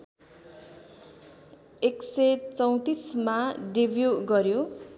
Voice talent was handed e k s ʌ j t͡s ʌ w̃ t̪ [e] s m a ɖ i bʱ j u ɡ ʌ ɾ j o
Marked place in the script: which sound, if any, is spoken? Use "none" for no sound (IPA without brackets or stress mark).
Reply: i